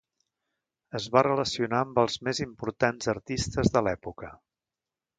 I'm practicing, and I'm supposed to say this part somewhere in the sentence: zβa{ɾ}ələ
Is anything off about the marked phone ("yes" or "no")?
yes